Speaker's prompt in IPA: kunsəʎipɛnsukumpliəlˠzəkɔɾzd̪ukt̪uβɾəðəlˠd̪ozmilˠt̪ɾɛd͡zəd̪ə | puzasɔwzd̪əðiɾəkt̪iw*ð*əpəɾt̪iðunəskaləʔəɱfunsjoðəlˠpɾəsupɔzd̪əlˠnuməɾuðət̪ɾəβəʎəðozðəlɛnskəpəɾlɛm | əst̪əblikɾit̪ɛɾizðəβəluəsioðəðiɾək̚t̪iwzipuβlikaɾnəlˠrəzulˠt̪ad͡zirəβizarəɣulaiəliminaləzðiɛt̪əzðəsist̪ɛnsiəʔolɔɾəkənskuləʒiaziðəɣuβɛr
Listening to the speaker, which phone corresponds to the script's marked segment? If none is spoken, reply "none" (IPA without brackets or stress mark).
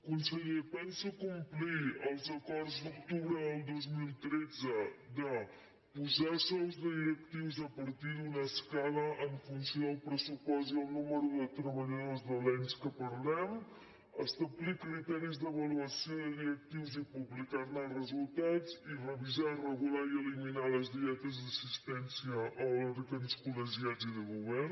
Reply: z